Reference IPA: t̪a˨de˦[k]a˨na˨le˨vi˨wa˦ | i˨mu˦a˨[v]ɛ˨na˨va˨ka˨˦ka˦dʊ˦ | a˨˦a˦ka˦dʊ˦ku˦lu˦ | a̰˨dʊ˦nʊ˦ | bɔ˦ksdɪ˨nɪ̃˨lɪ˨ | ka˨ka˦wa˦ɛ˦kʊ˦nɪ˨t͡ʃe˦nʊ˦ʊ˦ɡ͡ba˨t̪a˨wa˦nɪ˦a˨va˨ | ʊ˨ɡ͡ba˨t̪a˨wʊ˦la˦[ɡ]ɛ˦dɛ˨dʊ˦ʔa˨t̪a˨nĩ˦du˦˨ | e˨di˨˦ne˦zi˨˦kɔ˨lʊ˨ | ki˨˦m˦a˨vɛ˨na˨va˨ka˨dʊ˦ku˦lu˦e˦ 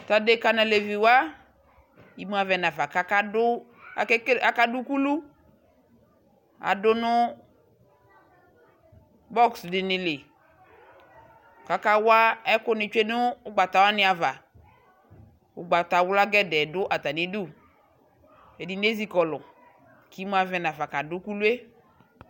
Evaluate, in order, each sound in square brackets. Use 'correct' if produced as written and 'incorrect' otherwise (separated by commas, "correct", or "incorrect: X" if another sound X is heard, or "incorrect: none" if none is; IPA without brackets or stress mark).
correct, correct, correct